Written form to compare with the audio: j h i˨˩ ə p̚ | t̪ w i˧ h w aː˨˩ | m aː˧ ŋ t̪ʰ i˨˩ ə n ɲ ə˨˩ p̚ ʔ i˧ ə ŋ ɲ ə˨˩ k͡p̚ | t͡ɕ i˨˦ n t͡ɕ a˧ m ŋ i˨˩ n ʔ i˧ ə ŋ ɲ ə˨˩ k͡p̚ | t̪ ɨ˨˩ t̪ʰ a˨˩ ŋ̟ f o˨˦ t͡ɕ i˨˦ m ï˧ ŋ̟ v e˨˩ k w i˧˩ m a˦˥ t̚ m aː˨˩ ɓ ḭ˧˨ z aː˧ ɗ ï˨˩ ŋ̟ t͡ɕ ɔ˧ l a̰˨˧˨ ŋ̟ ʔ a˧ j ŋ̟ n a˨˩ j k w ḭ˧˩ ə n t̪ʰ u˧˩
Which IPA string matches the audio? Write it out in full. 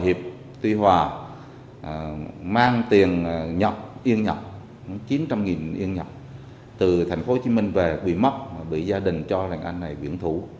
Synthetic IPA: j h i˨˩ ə p̚ | t̪ w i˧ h w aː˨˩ | m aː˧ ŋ t̪ i˨˩ ə n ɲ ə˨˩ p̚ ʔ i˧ ə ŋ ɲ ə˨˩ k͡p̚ | t͡ɕ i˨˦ n t͡ɕ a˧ m ŋ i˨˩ n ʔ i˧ ə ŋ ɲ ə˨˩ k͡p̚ | t̪ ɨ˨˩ t̪ʰ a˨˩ ŋ̟ f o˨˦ t͡ɕ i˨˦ m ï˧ ŋ̟ v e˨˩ k w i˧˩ m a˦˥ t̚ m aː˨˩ ɓ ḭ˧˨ z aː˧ ɗ ï˨˩ ŋ̟ t͡ɕ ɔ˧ l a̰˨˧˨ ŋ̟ ʔ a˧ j ŋ̟ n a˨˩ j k w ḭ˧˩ ə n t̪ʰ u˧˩

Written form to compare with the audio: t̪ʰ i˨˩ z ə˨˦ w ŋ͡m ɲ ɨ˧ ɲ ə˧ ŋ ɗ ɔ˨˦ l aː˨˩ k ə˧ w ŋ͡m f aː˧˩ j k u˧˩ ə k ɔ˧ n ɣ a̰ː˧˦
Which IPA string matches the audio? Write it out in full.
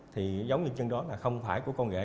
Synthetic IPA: t̪ʰ i˨˩ z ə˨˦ w ŋ͡m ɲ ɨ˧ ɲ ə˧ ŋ ɗ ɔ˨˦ l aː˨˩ x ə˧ w ŋ͡m f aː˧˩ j k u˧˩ ə k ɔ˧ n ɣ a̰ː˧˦

